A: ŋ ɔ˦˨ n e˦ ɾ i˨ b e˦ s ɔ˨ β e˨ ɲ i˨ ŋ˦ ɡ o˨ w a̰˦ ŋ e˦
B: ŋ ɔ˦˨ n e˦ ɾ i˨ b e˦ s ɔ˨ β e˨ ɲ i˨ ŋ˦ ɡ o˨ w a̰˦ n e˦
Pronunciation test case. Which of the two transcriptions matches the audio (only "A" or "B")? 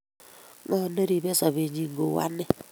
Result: B